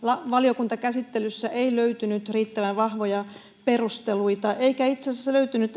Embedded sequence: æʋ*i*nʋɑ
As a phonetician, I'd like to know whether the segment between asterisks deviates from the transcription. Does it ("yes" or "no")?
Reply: yes